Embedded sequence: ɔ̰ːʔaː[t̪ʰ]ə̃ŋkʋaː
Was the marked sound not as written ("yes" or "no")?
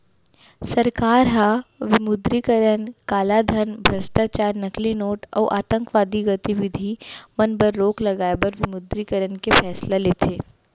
yes